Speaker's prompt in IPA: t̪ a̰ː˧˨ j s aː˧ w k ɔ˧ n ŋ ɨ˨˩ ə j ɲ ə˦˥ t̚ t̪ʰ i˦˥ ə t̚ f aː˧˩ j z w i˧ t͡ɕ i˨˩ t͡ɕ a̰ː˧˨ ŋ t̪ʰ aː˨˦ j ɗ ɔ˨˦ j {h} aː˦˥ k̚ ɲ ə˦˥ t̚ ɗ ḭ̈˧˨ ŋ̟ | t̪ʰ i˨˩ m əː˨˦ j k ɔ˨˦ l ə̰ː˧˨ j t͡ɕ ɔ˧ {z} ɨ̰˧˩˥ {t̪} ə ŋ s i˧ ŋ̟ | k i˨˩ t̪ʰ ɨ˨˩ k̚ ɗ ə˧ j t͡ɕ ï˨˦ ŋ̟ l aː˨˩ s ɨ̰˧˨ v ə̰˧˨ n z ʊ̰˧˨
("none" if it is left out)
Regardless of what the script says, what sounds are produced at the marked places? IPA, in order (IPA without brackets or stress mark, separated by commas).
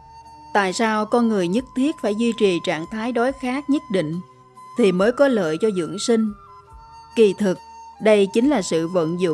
x, z, none